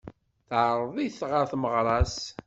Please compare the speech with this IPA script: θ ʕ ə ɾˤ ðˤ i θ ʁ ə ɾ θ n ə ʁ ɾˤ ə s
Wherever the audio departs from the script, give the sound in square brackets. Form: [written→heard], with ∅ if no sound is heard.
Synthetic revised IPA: θ ʕ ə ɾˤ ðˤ i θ ʁ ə ɾ θ [n→m] ə ʁ ɾˤ [ə→ɑ] s